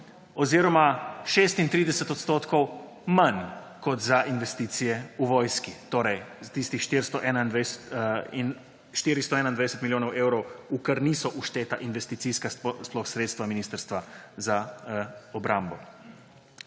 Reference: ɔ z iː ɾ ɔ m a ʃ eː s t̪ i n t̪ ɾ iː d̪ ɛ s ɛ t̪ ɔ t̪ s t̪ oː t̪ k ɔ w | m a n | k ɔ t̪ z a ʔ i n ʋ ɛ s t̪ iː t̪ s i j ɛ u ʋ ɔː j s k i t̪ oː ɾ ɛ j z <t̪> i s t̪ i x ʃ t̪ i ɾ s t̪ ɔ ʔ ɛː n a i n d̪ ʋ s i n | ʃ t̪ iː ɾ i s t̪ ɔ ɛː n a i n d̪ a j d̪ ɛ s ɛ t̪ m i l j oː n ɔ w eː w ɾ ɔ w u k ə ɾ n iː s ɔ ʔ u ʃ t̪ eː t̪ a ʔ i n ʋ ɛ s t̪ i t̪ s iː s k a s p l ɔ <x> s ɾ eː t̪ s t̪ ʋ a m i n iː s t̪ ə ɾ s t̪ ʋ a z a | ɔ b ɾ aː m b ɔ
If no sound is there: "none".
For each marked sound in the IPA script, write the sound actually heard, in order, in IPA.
t̪, x

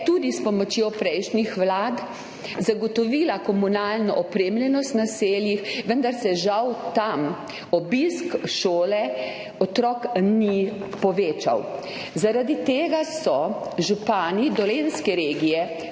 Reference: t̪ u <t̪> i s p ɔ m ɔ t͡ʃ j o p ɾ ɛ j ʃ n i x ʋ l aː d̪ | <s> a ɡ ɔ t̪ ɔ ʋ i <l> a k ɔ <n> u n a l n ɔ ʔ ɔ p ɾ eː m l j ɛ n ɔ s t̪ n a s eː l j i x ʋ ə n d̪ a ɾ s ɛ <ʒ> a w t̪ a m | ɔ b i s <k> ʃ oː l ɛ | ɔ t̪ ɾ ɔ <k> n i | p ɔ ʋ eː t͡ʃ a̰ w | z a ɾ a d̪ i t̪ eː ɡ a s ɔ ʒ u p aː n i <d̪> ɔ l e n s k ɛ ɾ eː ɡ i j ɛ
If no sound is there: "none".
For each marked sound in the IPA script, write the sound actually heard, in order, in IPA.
d̪, z, l, m, ʒ, k, k, d̪

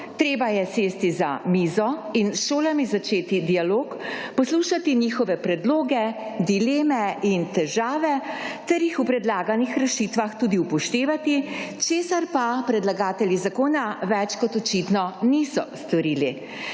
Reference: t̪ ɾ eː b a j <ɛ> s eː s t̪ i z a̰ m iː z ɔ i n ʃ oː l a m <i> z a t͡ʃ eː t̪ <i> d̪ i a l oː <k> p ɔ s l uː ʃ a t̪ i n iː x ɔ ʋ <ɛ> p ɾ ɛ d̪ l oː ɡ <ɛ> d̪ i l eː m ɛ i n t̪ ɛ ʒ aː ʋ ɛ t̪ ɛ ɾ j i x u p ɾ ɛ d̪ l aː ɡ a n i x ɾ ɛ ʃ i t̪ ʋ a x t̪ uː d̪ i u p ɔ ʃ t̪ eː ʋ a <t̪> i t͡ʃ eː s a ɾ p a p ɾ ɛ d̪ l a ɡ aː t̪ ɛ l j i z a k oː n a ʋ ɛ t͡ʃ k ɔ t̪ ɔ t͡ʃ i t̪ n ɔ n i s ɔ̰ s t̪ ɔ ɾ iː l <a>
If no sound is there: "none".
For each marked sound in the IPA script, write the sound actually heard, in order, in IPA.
ɛ, i, i, k, ɛ, ɛ, t̪, i

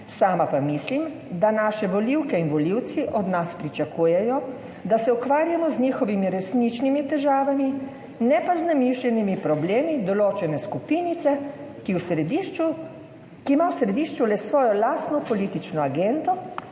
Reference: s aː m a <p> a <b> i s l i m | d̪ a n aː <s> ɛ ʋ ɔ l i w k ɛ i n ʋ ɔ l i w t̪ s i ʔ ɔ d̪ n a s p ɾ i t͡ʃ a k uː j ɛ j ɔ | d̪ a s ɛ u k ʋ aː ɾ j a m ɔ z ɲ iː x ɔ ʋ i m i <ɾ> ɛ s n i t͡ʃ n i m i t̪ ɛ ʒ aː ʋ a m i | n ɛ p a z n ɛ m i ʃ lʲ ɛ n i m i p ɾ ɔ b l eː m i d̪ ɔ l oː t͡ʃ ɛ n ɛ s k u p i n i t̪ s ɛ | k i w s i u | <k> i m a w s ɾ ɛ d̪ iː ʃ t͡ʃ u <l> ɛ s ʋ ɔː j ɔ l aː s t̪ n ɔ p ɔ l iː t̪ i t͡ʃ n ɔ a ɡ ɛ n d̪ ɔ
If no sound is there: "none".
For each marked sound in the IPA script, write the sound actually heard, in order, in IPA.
p, m, ʃ, ɾ, k, l

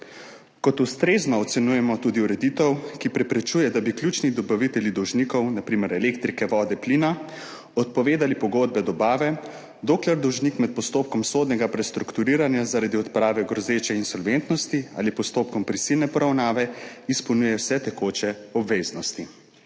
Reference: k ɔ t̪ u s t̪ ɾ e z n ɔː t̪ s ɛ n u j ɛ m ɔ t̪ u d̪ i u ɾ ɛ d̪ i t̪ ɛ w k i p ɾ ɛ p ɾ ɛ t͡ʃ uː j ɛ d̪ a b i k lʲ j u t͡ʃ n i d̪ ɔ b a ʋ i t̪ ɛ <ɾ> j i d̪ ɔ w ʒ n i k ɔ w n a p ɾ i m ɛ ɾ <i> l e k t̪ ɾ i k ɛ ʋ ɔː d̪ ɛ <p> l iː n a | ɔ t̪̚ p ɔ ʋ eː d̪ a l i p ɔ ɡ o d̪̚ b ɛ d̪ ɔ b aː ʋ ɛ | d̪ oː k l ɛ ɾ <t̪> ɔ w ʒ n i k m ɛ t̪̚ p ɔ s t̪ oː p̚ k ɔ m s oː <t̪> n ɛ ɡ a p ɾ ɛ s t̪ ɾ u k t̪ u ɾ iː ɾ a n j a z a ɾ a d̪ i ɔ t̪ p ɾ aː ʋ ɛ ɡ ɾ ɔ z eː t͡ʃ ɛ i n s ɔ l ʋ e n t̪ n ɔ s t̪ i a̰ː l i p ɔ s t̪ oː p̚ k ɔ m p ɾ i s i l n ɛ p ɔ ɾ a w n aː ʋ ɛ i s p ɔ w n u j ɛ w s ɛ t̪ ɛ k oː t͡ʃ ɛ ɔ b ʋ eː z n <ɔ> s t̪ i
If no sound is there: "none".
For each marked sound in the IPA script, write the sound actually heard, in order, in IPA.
l, ɛ, p, d̪, d̪, ɔ

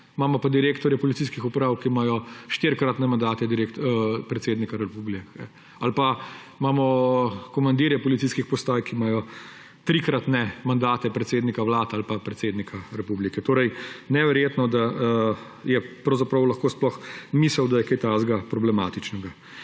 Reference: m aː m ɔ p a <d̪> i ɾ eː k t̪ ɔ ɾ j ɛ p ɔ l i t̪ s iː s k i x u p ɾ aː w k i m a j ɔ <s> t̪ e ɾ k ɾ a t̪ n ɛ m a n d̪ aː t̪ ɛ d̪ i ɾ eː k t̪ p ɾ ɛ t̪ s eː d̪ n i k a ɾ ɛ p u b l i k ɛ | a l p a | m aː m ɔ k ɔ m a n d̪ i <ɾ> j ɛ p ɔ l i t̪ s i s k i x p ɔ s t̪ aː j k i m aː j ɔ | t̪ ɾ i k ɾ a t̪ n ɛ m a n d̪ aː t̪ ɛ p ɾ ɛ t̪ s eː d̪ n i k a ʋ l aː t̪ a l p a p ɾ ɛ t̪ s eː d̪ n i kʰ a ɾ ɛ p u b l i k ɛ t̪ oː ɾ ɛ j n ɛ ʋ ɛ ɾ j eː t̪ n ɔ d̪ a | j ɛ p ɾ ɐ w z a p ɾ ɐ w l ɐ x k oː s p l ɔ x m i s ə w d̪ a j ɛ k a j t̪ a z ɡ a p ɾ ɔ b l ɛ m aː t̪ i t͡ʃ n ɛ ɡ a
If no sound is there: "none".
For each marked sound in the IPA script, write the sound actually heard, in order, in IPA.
d̪, ʃ, ɾ

